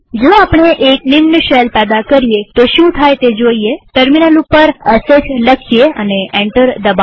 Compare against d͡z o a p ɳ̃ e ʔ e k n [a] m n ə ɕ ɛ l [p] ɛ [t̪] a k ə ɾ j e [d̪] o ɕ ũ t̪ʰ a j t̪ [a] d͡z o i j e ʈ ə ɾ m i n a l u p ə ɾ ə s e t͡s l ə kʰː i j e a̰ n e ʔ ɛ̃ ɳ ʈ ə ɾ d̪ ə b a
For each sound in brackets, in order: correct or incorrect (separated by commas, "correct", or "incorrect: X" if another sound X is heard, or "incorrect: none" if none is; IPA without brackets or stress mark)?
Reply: incorrect: i, correct, incorrect: d̪, incorrect: t̪, incorrect: e